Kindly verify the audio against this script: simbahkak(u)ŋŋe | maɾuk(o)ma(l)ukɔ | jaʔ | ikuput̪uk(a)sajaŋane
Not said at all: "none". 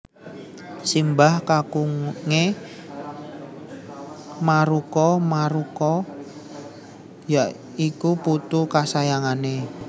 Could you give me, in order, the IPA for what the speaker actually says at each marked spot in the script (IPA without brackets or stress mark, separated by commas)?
u, ɔ, ɾ, a